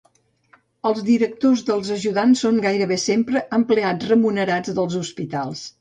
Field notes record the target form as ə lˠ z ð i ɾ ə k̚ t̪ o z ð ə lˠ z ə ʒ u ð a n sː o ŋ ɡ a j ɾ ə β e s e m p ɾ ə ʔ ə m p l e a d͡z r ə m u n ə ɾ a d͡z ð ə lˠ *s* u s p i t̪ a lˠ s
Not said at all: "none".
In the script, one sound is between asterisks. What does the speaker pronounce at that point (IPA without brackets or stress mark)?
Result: z